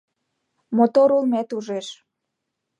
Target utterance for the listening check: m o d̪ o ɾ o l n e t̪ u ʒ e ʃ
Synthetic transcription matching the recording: m o t̪ o ɾ u l m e t̪ u ʒ e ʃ